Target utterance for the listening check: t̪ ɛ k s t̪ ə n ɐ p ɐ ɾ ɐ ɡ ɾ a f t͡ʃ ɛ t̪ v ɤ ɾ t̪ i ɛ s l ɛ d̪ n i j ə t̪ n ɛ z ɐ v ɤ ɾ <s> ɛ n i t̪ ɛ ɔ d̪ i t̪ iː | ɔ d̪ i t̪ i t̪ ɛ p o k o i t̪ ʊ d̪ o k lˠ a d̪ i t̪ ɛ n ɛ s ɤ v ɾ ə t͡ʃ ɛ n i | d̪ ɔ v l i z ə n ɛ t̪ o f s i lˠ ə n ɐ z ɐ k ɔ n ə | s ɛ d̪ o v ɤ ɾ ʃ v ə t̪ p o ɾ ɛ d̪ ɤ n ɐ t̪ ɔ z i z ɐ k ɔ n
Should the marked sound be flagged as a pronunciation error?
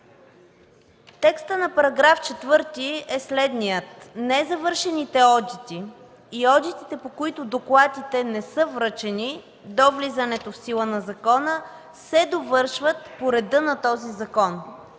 yes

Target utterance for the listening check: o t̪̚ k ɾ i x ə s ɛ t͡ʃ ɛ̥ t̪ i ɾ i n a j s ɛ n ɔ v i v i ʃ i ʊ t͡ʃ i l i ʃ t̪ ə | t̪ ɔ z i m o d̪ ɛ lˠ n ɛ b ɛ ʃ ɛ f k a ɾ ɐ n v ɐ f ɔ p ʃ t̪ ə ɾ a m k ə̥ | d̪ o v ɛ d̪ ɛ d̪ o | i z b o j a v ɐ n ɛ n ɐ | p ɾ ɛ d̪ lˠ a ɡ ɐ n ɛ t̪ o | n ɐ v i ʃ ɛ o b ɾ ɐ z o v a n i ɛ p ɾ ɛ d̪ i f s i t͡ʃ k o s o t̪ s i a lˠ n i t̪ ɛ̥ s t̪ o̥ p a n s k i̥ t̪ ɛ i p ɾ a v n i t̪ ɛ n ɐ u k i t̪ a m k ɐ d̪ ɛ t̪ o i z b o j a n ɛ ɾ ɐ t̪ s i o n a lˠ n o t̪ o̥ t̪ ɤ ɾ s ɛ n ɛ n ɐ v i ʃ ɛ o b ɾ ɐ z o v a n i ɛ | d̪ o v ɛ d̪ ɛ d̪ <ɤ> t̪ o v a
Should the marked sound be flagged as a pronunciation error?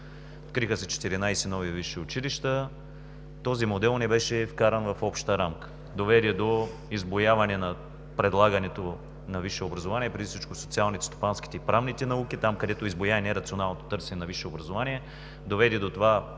yes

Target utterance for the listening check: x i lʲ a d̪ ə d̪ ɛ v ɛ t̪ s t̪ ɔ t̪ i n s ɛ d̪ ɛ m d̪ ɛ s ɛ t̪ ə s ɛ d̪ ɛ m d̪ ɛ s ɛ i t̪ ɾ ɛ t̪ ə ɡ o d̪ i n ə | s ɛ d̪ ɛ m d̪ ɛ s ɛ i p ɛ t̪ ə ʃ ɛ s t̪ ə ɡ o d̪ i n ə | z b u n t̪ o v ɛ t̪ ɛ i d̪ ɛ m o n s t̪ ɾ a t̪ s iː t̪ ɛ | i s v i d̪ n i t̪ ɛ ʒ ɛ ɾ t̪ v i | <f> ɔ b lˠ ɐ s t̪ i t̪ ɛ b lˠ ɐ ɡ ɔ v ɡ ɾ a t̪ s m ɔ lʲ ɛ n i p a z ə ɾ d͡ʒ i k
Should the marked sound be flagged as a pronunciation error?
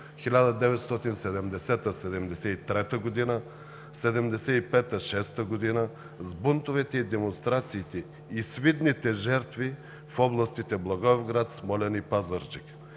no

